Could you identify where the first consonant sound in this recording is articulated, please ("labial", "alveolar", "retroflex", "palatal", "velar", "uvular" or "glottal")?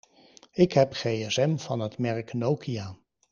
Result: velar